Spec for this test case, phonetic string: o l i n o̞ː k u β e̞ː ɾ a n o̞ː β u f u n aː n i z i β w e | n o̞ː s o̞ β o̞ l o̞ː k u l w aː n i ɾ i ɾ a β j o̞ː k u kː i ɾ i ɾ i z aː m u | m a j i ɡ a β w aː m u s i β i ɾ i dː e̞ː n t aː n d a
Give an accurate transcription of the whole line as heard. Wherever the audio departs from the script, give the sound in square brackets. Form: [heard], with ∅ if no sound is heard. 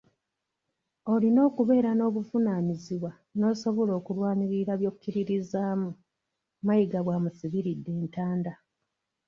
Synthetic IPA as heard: o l i n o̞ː k u β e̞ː ɾ a n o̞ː β u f u n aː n i z i β w [a] | n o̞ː s o̞ β o̞ l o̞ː k u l w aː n i ɾ i ɾ a β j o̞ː k u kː i ɾ i ɾ i z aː m u | m a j i ɡ a β w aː m u s i β i ɾ i dː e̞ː n t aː n d a